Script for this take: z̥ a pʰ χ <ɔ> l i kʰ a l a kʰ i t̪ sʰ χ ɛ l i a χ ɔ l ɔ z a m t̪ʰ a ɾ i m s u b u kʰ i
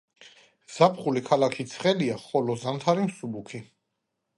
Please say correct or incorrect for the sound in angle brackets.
incorrect